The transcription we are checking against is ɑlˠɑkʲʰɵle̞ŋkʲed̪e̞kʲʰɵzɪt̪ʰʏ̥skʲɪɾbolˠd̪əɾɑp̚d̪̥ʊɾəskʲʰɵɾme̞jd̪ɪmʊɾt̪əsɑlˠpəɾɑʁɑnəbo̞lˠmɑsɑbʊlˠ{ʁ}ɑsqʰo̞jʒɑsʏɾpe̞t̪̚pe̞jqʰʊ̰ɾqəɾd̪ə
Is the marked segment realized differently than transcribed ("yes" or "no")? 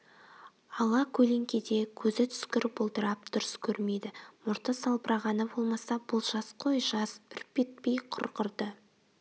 yes